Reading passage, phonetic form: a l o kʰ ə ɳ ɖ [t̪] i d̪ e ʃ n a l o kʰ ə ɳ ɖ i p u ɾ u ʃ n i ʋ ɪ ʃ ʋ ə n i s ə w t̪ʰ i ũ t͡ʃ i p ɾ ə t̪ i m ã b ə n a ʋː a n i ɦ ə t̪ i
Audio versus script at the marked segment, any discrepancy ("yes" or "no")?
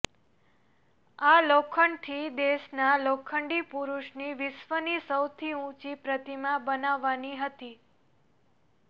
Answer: yes